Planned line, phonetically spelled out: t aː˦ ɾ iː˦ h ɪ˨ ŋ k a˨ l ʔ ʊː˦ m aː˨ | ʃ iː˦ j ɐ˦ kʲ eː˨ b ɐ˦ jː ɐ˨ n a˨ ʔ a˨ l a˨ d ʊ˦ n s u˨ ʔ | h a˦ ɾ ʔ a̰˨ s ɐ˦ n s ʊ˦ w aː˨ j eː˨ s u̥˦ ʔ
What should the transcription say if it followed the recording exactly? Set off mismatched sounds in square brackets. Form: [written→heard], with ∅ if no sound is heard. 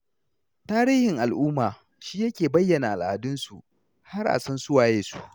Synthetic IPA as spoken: t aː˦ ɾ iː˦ h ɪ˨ ŋ [k→ʔ] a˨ l ʔ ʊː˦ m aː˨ | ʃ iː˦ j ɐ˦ kʲ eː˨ b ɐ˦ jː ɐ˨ n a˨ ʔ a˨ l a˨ d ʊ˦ n s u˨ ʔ | h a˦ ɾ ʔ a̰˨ s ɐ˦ n s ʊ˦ w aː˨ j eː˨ s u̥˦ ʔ